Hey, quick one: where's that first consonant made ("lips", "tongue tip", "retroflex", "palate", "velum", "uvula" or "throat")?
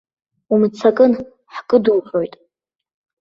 lips